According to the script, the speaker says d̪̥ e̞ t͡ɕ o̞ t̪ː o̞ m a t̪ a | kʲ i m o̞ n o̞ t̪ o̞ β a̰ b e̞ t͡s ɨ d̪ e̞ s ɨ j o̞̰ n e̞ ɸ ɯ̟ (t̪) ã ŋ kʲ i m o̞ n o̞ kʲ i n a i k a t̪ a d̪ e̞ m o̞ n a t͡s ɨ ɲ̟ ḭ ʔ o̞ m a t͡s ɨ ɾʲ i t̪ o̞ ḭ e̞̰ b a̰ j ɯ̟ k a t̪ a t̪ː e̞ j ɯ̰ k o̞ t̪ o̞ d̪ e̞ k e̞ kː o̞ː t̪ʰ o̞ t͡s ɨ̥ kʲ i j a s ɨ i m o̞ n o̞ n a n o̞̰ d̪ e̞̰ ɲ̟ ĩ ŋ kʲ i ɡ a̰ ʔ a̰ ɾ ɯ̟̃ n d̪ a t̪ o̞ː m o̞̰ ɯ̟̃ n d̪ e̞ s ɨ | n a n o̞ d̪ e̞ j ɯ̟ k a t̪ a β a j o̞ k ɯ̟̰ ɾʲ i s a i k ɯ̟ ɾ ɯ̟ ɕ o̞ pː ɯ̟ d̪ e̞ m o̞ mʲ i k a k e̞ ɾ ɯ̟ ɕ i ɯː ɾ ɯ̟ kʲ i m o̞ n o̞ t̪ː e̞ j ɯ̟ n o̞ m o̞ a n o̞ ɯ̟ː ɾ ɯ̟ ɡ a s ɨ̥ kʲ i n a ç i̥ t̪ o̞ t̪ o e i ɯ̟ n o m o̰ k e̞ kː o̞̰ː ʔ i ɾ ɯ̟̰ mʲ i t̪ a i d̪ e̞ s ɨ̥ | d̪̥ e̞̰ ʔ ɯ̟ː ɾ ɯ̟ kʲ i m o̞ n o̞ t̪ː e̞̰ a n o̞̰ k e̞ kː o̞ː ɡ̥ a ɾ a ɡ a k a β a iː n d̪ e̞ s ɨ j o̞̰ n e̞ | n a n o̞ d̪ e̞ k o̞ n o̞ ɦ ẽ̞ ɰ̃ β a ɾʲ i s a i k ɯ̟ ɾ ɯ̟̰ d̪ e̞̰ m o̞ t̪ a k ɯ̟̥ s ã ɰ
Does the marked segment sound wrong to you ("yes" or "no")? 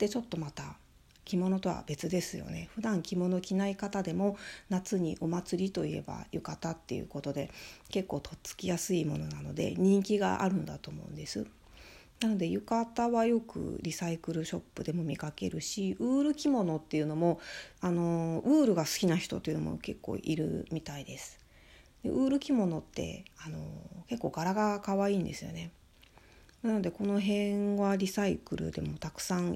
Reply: yes